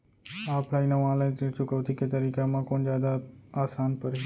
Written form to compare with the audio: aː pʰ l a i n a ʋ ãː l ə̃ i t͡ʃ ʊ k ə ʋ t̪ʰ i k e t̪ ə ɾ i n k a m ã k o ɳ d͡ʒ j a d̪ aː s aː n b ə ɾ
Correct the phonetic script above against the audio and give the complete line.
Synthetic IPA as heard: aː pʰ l a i n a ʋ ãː l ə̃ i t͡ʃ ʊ k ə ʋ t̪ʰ i k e t̪ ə ɾ i k a m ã k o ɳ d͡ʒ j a d̪ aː s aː n p ə ɾ